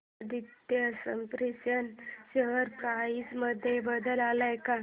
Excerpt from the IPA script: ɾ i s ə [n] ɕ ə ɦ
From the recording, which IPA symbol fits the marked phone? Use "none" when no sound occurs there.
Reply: n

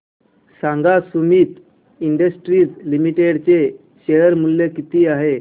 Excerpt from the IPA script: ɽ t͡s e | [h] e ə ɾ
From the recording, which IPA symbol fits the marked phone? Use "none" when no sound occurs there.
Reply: ɕ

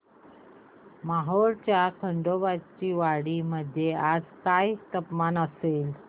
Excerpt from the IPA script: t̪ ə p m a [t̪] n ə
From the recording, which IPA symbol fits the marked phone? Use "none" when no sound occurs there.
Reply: none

